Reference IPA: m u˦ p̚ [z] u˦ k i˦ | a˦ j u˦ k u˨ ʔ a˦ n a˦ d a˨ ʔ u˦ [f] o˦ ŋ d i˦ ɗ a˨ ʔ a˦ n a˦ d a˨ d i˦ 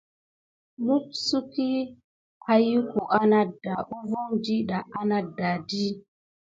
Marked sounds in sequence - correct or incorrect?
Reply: incorrect: s, incorrect: v

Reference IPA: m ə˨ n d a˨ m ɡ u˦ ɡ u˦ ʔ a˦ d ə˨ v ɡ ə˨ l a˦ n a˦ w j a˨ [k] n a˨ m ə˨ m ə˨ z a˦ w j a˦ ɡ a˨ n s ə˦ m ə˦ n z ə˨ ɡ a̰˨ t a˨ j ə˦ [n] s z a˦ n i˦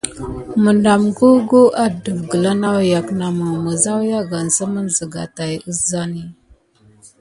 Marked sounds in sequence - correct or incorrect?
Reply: correct, incorrect: none

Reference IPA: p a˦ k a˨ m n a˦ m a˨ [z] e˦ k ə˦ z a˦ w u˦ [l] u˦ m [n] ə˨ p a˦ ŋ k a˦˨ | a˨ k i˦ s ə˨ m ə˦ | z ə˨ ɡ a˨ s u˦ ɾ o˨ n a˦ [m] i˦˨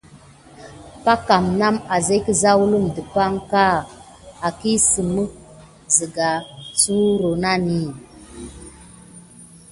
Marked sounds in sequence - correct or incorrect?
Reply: correct, correct, incorrect: d, incorrect: n

